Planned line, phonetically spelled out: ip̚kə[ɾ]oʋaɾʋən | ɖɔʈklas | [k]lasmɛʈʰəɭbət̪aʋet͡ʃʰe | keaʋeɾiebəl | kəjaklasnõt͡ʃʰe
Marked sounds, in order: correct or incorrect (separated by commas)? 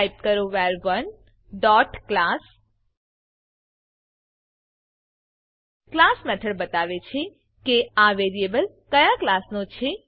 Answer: correct, correct